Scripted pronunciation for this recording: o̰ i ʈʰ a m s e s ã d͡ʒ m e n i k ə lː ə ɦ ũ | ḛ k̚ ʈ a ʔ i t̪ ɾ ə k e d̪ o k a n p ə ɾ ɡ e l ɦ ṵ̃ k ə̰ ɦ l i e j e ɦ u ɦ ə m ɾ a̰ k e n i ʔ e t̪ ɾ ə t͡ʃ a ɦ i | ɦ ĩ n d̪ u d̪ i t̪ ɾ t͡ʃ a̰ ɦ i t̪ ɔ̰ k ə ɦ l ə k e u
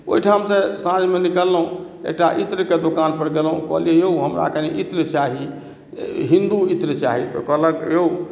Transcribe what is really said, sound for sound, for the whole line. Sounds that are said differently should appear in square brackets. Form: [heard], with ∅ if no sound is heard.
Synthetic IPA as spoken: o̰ i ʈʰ a m s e s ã d͡ʒ m e n i k ə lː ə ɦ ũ | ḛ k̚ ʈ a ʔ i t̪ ɾ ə k e d̪ o k a n p ə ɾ ɡ e l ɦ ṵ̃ k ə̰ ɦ l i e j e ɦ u ɦ ə m ɾ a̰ k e n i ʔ [i] t̪ ɾ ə t͡ʃ a ɦ i | ɦ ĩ n d̪ u [∅] i t̪ ɾ t͡ʃ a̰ ɦ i t̪ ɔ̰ k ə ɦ l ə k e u